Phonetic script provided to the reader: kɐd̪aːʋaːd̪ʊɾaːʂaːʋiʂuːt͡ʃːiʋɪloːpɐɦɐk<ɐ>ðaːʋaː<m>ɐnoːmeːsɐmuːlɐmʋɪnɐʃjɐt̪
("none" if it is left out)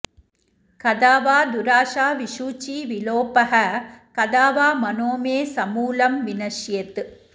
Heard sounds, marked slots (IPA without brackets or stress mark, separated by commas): ɐ, m